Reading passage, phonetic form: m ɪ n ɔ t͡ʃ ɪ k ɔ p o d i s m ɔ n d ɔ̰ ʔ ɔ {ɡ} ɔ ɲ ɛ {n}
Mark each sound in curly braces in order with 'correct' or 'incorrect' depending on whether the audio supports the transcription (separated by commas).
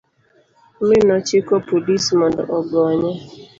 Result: correct, incorrect